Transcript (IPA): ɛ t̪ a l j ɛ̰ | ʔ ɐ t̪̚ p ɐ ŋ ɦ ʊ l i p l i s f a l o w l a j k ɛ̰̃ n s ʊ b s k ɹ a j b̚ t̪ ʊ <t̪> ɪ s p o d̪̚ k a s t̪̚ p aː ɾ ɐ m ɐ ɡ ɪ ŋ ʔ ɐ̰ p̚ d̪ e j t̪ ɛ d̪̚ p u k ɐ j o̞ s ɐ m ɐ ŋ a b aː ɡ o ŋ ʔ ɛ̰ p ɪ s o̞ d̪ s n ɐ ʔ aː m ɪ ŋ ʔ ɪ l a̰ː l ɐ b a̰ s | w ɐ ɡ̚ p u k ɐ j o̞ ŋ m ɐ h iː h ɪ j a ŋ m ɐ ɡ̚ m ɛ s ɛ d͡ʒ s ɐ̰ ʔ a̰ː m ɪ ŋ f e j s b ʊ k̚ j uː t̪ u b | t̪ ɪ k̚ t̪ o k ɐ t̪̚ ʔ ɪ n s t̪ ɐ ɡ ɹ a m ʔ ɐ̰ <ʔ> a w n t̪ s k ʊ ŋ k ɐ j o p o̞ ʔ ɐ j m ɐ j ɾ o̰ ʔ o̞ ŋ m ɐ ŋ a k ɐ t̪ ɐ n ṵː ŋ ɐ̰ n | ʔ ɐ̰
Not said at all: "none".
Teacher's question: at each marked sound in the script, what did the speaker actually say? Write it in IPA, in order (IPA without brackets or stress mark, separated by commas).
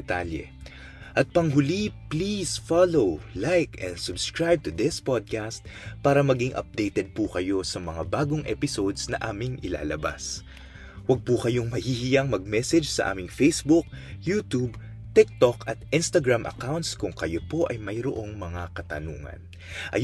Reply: d̪, k